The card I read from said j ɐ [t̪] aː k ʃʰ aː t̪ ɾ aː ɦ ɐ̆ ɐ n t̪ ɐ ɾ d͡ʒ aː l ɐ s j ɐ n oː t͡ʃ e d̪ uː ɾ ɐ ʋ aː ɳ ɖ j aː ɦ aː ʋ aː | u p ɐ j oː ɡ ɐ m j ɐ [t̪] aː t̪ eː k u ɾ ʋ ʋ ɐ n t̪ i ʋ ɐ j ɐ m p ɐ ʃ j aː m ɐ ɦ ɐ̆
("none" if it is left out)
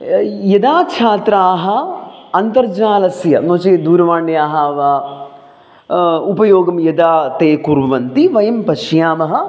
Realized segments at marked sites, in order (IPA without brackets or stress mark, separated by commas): d̪, d̪